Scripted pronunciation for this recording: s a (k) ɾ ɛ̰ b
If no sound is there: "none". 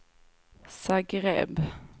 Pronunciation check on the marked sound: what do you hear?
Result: ɡ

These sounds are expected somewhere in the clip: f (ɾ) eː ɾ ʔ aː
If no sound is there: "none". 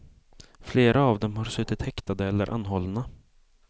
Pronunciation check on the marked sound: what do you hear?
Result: l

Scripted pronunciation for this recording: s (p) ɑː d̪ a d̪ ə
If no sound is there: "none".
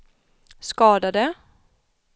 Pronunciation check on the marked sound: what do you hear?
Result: k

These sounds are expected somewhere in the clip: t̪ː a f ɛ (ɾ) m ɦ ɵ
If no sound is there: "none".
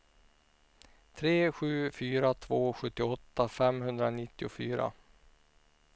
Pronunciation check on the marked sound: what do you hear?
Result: none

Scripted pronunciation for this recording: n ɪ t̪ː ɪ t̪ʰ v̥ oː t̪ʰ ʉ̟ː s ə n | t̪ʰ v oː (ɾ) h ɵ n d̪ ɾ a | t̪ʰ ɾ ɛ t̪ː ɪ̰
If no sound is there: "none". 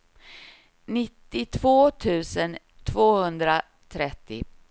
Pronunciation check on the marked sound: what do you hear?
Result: none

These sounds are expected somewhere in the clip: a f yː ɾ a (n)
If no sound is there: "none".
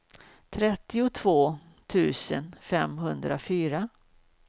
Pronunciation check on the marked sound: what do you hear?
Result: none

